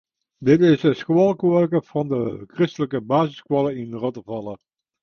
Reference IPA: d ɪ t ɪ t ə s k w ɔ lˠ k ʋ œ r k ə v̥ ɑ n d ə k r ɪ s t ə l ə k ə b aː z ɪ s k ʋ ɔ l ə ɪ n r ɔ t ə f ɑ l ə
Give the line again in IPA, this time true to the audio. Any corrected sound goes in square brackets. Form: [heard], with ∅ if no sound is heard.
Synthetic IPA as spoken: d ɪ t ɪ [s] ə s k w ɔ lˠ k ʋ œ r k ə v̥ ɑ n d ə k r ɪ s t ə l ə k ə b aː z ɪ s k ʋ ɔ l ə ɪ n r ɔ t ə [v] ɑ l ə